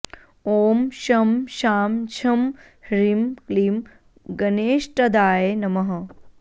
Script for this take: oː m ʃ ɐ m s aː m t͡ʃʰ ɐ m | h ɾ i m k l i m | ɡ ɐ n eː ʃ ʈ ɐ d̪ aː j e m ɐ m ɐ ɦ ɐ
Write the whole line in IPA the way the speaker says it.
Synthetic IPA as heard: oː m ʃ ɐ m ʃ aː m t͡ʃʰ ɐ m | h ɾ i m k l i m | ɡ ɐ n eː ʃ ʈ ɐ d̪ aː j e n ɐ m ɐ ɦ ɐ